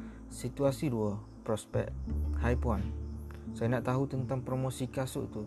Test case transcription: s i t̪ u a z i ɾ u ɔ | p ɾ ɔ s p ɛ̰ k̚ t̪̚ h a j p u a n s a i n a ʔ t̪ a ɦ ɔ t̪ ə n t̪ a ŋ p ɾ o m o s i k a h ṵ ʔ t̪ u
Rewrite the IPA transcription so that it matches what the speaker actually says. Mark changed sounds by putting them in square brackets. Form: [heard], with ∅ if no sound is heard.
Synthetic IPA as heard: s i t̪ u a [s] i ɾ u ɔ | p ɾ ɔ s p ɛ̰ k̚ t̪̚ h a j p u a n s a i n a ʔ t̪ a ɦ [u] t̪ ə n t̪ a ŋ p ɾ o m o s i k a [s] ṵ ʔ t̪ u